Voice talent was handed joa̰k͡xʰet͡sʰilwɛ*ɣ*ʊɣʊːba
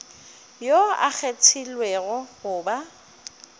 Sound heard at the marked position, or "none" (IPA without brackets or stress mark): ɣ